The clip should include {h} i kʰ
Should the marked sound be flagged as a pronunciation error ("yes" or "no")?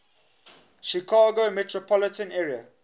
yes